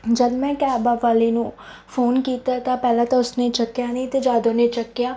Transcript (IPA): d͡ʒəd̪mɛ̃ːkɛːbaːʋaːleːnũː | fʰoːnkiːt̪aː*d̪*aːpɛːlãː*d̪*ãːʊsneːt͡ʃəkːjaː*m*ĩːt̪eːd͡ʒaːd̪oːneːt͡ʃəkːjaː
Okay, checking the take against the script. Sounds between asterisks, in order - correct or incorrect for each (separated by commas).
incorrect, incorrect, incorrect